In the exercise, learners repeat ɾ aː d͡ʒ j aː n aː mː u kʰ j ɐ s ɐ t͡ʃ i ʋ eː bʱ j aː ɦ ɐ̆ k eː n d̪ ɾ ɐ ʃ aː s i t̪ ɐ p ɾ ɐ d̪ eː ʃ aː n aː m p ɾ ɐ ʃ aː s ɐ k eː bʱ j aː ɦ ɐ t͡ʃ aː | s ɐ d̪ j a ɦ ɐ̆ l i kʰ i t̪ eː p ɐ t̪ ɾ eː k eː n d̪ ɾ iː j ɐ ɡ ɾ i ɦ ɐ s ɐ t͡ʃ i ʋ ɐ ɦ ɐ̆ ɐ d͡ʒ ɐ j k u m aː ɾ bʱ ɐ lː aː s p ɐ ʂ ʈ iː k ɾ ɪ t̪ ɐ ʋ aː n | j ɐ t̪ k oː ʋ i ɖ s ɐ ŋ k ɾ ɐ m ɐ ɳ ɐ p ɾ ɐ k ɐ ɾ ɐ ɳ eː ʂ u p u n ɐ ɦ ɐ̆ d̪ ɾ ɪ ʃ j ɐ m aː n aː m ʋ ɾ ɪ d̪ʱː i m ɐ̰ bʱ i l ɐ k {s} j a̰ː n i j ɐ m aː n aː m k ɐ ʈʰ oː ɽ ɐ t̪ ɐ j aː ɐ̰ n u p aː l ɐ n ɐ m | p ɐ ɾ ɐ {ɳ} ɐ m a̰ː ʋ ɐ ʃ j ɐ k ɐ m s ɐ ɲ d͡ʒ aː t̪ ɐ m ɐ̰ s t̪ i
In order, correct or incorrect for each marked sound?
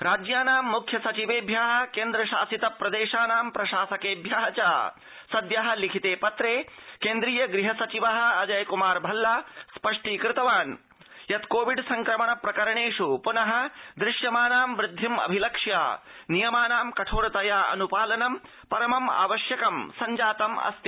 incorrect: ʂ, incorrect: m

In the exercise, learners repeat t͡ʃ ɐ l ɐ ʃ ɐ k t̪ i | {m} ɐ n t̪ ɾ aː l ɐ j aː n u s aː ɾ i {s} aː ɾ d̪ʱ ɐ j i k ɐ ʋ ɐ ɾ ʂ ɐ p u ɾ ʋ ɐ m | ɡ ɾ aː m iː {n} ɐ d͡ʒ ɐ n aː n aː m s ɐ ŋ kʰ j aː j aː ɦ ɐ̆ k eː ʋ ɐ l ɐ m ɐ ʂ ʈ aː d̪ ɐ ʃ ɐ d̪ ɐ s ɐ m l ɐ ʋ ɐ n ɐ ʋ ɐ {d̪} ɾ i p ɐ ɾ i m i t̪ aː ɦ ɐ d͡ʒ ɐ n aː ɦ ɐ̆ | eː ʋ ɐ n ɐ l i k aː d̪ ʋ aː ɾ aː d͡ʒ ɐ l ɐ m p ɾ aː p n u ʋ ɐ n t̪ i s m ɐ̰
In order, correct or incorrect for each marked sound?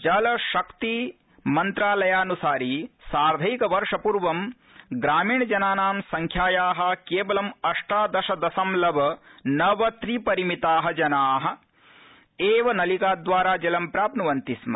correct, correct, incorrect: ɳ, incorrect: t̪

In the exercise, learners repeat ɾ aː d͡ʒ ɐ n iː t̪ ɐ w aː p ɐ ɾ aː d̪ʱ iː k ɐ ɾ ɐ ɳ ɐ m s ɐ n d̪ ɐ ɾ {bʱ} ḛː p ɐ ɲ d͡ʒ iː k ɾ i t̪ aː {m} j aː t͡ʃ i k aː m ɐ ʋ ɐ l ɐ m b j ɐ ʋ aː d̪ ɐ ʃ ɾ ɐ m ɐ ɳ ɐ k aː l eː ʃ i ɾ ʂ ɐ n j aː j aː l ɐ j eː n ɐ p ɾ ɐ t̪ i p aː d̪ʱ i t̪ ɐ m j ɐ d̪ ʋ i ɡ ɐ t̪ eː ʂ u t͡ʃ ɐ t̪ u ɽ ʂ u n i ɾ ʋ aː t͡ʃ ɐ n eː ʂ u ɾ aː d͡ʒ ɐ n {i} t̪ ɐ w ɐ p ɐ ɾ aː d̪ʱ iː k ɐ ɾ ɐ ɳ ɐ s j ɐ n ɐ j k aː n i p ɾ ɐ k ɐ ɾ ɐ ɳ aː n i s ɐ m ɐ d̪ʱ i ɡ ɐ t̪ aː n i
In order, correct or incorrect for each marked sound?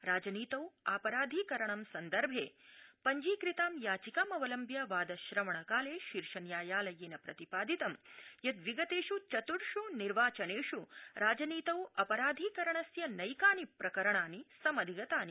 correct, correct, incorrect: iː

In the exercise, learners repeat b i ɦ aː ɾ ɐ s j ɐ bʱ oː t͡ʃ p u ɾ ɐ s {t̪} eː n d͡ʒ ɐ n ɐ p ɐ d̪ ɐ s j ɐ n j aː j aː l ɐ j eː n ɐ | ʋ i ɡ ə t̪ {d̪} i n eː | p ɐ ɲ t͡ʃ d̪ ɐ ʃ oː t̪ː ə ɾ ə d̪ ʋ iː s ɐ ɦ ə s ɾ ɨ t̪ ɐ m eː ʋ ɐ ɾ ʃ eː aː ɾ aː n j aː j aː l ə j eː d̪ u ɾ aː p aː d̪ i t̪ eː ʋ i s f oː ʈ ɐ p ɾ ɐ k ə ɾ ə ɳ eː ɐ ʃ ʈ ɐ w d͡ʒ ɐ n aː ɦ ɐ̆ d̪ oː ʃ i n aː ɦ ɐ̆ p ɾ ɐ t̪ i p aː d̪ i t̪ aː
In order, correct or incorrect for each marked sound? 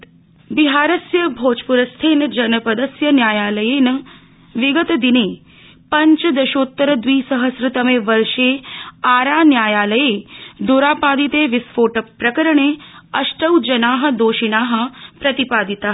incorrect: t̪ʰ, correct

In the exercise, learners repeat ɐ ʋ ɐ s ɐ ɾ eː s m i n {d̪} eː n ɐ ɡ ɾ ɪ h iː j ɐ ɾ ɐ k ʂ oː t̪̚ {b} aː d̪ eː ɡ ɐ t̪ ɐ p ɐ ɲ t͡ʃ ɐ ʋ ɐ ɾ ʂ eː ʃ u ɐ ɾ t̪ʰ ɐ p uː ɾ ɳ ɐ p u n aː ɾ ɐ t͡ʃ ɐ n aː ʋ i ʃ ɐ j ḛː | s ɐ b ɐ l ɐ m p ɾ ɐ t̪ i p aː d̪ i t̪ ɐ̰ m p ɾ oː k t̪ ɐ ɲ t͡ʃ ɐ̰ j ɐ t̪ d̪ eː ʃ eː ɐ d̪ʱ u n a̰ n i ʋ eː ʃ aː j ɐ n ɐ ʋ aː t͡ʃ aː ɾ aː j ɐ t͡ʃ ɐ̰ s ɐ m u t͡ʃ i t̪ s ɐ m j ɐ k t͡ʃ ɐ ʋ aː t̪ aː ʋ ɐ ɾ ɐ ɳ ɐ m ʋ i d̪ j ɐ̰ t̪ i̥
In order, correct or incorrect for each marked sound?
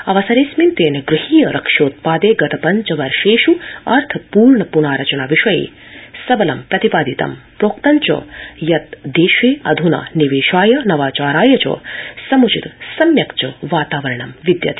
incorrect: t̪, incorrect: p

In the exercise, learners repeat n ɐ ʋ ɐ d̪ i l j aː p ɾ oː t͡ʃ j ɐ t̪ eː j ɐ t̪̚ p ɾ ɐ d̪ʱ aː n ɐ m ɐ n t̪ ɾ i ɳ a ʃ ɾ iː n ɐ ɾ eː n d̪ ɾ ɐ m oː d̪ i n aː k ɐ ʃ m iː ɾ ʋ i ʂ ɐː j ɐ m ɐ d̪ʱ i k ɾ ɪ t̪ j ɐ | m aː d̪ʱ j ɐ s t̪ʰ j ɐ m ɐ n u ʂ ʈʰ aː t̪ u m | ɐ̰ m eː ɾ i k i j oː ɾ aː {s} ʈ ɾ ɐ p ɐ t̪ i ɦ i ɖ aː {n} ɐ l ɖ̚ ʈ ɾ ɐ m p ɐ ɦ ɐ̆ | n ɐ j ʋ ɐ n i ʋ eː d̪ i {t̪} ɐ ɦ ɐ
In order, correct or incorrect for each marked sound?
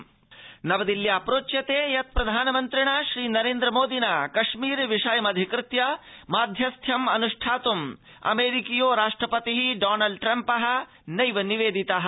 incorrect: ʂ, correct, correct

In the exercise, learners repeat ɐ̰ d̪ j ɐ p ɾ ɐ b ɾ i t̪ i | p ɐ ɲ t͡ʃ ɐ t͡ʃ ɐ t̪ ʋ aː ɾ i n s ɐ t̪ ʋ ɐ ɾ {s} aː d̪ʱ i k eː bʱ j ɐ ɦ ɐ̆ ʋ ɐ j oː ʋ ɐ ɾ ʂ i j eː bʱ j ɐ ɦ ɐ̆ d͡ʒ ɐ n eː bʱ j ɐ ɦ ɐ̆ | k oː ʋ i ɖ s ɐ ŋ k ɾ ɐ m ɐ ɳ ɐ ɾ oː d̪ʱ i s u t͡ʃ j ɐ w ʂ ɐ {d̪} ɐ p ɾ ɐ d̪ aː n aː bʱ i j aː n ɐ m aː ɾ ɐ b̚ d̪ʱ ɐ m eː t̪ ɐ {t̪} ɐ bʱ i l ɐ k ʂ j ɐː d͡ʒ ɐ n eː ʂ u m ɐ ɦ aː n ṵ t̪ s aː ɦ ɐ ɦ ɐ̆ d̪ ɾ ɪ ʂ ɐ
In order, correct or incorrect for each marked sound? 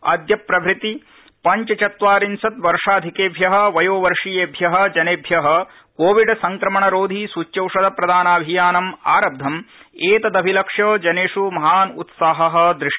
incorrect: ʂ, correct, incorrect: d̪

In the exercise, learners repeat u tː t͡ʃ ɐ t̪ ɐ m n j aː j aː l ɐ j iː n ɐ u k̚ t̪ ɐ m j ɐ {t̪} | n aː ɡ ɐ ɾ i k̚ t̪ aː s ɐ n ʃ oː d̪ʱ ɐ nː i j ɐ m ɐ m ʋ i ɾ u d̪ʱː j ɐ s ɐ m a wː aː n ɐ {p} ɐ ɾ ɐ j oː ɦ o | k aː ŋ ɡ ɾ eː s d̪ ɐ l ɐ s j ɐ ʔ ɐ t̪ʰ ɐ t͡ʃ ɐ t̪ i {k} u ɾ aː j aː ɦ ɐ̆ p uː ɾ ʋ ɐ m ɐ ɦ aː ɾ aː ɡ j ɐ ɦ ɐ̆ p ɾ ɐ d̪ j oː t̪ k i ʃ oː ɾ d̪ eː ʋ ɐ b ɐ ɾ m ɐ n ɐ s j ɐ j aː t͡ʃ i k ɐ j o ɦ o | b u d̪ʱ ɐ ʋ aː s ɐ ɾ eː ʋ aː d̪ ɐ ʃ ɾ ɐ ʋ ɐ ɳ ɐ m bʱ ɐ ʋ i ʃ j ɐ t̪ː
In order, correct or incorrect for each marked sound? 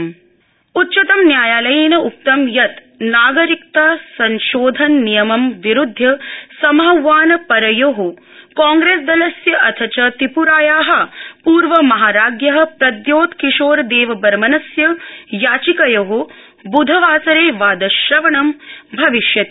correct, correct, incorrect: p

